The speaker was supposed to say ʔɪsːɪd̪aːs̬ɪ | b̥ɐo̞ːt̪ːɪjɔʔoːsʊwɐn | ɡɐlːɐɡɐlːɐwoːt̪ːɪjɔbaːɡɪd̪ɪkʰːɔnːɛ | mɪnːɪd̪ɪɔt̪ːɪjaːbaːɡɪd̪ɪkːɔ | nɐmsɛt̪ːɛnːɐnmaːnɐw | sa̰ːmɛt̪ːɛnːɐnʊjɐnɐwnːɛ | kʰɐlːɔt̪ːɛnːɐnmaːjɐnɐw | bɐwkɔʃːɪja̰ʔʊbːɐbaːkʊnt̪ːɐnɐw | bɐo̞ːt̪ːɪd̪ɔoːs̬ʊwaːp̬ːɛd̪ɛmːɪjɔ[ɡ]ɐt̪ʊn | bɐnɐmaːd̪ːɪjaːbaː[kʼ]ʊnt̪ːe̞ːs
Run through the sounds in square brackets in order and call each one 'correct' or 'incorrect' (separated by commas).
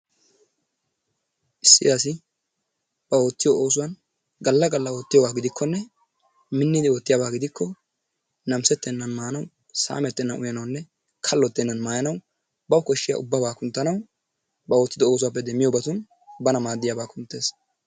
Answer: incorrect, incorrect